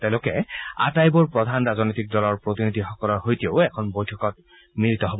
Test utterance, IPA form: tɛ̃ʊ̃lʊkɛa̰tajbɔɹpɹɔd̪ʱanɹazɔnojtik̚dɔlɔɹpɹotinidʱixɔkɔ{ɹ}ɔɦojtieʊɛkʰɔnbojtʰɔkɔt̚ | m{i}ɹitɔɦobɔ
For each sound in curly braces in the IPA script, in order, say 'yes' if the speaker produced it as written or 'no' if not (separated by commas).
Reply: no, yes